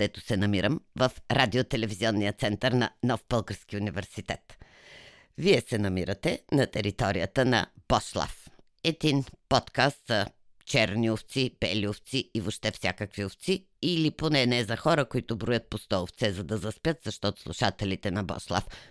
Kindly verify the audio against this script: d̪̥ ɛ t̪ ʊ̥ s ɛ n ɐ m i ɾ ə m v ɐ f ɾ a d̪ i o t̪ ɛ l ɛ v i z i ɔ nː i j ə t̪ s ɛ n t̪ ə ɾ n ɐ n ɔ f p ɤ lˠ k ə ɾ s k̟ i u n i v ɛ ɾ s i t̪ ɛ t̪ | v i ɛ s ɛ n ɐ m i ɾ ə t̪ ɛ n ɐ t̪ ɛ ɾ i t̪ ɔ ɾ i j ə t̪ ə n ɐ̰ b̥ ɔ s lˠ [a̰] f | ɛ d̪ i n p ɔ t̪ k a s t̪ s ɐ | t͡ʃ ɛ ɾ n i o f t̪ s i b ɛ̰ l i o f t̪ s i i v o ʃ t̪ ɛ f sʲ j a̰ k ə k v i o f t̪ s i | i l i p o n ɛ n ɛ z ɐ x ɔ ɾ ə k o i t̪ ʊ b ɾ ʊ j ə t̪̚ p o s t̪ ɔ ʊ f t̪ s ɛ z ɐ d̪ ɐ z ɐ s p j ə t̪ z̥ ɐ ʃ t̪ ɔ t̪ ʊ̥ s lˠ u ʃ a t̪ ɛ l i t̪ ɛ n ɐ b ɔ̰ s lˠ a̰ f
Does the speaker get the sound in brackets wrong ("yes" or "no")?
no